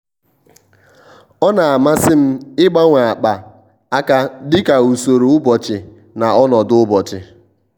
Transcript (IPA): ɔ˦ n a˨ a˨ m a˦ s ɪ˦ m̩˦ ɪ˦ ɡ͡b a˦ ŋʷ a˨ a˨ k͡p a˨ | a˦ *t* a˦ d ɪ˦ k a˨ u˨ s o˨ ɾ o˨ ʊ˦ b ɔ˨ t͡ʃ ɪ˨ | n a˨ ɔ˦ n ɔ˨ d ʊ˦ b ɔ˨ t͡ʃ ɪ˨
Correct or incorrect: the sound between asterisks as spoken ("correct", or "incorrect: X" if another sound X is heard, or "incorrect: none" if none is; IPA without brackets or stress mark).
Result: incorrect: k